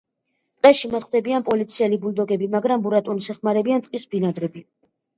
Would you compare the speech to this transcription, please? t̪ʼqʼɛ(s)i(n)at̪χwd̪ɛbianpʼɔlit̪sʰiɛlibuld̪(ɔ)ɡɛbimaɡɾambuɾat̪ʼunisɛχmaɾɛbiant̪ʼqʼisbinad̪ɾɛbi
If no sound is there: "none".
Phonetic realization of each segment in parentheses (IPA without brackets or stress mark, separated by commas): ʃ, m, ɔ